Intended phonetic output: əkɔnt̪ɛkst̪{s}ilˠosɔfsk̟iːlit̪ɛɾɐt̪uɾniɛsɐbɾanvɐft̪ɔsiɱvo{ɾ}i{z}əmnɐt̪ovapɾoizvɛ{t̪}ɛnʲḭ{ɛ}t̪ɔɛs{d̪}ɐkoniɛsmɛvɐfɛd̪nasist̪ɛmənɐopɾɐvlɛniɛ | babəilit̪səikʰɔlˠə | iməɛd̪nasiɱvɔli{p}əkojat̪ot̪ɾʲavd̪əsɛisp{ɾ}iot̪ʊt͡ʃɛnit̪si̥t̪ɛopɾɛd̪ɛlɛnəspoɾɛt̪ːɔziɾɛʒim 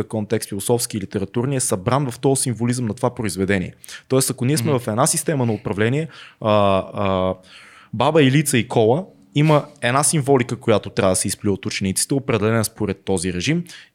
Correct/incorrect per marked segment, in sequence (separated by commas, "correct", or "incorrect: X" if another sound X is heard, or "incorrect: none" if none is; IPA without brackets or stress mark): incorrect: f, incorrect: l, correct, incorrect: d̪, correct, incorrect: t̪, incorrect: k, incorrect: l